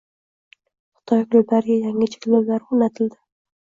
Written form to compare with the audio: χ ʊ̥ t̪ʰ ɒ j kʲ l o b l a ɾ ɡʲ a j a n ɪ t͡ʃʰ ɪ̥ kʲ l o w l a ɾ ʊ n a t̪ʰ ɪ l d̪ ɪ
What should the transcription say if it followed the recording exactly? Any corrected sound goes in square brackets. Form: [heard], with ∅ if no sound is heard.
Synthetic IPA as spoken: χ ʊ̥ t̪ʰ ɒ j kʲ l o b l a ɾ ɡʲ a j a [ŋ] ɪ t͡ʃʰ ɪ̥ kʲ l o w l a ɾ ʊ n a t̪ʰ ɪ l d̪ ɪ